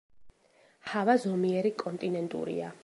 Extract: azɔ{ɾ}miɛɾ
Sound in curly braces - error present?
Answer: yes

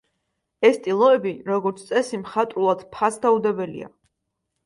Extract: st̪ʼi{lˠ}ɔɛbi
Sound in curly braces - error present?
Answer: no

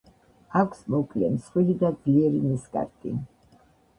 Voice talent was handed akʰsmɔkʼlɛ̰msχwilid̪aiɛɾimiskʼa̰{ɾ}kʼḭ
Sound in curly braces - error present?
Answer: no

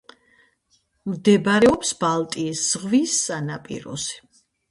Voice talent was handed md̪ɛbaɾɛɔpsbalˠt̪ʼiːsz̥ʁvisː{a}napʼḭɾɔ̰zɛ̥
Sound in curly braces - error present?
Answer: no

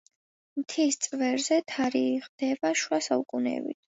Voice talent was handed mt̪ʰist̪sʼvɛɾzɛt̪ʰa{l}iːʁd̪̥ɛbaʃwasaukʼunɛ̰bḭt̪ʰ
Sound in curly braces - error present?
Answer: yes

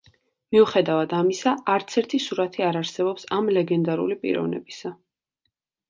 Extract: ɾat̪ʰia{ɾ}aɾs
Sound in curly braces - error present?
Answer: no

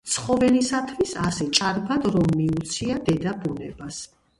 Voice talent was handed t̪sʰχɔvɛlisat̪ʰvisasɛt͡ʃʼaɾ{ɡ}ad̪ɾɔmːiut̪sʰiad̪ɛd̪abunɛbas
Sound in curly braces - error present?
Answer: yes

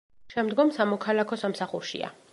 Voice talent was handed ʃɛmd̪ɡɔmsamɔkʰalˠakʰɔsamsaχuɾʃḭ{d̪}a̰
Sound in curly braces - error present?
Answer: yes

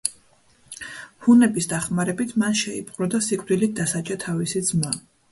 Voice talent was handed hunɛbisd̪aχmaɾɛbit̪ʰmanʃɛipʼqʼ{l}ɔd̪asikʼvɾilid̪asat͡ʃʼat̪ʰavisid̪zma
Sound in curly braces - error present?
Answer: yes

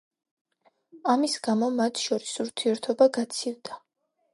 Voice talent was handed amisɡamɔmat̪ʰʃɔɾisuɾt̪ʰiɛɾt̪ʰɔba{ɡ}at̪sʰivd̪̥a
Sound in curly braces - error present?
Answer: no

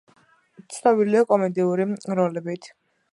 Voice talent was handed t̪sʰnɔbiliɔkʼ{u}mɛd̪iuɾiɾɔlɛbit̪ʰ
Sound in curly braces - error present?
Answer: yes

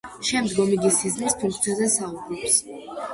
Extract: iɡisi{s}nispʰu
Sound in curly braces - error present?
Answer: yes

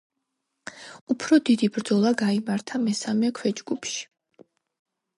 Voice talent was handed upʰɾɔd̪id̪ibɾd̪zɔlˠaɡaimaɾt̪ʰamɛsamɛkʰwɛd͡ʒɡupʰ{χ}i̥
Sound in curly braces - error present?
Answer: yes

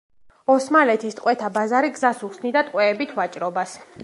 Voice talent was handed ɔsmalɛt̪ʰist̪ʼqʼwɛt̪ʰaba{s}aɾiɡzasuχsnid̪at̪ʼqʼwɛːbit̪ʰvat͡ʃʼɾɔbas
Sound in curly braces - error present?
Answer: yes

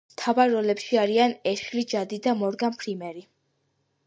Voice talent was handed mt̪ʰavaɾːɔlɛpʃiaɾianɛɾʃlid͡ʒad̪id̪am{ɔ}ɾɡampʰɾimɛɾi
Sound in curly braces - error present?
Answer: no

